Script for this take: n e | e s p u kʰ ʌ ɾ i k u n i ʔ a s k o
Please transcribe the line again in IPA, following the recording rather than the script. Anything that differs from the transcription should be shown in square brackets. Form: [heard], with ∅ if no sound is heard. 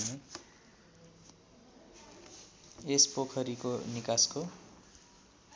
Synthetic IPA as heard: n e | e s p [o] kʰ ʌ ɾ i k [o] n i [k] a s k o